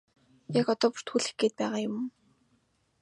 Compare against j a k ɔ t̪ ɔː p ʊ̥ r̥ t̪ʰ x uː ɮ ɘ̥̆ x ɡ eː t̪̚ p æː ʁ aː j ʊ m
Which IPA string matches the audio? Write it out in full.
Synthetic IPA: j a k ɔ t̪ ɔː p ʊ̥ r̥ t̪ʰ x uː ɮ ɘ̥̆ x ɡ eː t̪̚ p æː ʁ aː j ʊ m